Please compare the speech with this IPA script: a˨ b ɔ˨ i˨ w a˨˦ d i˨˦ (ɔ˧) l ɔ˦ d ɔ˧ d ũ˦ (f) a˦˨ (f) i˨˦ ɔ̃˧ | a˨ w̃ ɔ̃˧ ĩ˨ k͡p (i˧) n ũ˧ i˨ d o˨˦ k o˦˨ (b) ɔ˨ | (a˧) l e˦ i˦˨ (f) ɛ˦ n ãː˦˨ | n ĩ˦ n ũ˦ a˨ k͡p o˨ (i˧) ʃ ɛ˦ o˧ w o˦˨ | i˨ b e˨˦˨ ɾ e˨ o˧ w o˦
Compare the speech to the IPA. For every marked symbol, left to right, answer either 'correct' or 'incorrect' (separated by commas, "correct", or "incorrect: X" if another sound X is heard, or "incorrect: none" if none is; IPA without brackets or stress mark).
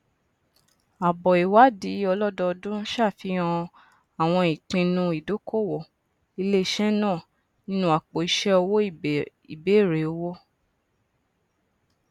correct, incorrect: ʃ, correct, incorrect: ĩ˧, incorrect: w, incorrect: i˧, incorrect: ʃ, correct